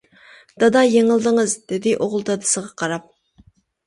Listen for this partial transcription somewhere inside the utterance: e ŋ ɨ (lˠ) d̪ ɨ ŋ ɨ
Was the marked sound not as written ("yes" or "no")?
no